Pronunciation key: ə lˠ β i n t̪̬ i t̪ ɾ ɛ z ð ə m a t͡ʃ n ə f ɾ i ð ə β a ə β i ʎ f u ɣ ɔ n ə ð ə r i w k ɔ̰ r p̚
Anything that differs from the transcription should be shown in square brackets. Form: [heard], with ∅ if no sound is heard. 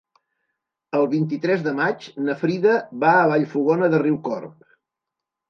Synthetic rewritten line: ə lˠ β i n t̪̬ i t̪ ɾ ɛ z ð ə m a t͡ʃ n ə f ɾ i ð ə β a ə β [a] ʎ f u ɣ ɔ n ə ð ə r i w k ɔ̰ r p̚